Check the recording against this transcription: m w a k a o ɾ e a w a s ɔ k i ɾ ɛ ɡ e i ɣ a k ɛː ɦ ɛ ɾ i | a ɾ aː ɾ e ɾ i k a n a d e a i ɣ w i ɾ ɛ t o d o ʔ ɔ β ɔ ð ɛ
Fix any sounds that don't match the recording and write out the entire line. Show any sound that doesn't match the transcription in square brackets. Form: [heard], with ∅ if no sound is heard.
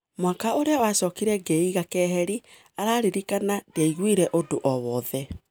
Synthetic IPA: m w a k a o ɾ e a w a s ɔ k i ɾ ɛ ɡ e i ɣ a k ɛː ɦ ɛ ɾ i | a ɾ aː ɾ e ɾ i k a n a d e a i ɣ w i ɾ ɛ [ʔ] o d o ʔ ɔ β ɔ ð ɛ